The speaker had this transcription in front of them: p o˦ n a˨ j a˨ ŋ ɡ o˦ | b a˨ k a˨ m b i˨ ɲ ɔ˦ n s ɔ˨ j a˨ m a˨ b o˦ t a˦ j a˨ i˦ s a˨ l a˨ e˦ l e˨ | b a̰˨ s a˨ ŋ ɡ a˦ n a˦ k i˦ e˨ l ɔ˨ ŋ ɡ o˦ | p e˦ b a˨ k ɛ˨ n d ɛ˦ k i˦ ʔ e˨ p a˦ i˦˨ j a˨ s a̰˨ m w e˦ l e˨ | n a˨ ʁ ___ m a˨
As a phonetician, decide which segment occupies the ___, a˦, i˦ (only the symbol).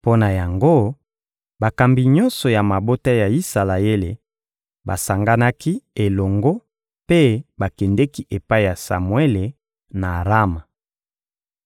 a˦